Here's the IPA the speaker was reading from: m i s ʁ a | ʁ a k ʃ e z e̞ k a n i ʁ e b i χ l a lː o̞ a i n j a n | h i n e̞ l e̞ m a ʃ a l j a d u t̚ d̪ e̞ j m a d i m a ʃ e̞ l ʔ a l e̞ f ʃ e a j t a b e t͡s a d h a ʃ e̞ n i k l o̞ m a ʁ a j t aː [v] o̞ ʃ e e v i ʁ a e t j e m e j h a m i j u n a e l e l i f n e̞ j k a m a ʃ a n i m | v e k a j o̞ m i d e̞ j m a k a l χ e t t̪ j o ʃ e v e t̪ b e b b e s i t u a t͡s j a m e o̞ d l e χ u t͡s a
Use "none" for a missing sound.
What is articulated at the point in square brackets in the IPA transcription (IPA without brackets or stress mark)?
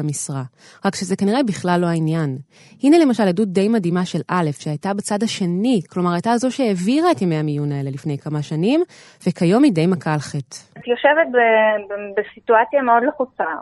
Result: z